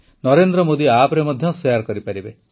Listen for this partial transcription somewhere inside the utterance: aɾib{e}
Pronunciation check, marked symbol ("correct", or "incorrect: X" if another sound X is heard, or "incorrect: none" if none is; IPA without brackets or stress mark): correct